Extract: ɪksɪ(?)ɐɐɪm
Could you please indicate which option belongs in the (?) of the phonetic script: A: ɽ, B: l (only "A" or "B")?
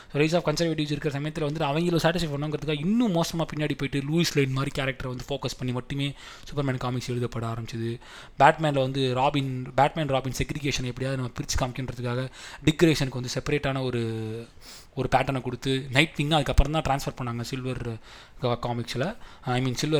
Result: B